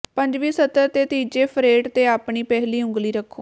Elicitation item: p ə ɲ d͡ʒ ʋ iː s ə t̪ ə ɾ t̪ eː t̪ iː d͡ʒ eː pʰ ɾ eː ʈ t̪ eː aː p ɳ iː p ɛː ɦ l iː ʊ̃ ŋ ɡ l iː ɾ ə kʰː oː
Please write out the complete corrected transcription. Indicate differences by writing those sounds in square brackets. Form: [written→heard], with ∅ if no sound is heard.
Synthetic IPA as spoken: p ə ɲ d͡ʒ ʋ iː s ə t̪ ə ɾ t̪ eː t̪ iː d͡ʒ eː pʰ ɾ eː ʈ t̪ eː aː p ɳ iː p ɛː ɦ l iː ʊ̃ ŋ ɡ l iː ɾ ə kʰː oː

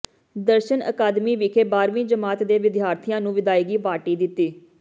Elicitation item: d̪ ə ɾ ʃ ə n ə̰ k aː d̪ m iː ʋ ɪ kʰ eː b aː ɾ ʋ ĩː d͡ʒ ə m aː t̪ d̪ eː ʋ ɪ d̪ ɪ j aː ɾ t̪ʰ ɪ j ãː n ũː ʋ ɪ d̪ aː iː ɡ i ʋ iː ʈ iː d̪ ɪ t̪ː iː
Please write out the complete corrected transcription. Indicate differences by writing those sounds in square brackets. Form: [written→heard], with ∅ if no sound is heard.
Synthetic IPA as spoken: d̪ ə ɾ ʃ ə n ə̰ k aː d̪ m iː ʋ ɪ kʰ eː b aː ɾ ʋ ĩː d͡ʒ ə m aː t̪ d̪ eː ʋ ɪ d̪ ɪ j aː ɾ t̪ʰ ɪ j ãː n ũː ʋ ɪ d̪ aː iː ɡ [i→iː] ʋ [iː→aː] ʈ iː d̪ ɪ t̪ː iː

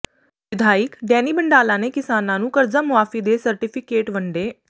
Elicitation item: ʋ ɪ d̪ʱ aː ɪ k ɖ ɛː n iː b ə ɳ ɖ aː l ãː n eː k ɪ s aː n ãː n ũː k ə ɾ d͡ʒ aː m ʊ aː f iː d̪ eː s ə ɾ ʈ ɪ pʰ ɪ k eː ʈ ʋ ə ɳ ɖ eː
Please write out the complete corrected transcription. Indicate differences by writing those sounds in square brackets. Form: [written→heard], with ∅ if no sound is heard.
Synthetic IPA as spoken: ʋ ɪ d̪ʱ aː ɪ k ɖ ɛː n iː b ə ɳ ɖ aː l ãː n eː k ɪ s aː n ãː n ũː k ə ɾ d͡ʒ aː m ʊ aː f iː d̪ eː s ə ɾ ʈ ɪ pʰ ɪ k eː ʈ ʋ ə ɳ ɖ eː

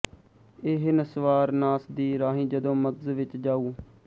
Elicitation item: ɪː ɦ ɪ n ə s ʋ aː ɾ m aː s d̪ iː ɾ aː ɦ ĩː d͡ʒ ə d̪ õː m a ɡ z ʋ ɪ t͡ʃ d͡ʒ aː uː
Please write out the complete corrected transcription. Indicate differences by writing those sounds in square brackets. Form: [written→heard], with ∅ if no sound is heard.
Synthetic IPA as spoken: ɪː ɦ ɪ n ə s ʋ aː ɾ [m→n] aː s d̪ iː ɾ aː ɦ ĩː d͡ʒ ə d̪ õː m [a→ə] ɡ z ʋ ɪ t͡ʃ d͡ʒ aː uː

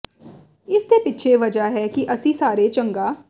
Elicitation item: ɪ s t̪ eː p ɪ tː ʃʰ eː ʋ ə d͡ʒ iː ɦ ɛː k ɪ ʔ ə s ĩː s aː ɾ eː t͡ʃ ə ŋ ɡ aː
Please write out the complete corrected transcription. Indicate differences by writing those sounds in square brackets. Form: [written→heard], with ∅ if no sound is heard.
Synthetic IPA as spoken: ɪ s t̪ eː p ɪ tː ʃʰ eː ʋ ə d͡ʒ [iː→aː] ɦ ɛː k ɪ ʔ ə s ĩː s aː ɾ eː t͡ʃ ə ŋ ɡ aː

